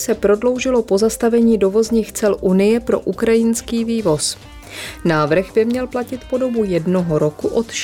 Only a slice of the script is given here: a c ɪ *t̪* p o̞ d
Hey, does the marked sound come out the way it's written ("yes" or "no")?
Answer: yes